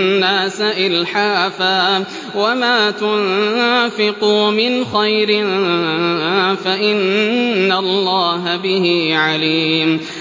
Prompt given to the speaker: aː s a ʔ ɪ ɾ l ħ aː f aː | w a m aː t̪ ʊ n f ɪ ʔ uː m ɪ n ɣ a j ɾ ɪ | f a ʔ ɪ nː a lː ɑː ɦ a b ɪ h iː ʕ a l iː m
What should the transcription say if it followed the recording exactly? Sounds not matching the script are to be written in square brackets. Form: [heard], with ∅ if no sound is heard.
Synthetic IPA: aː s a ʔ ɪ [∅] l ħ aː f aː | w a m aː t̪ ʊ n f ɪ [q] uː m ɪ n [x] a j ɾ ɪ | f a ʔ ɪ nː a lː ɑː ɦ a b ɪ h iː ʕ a l iː m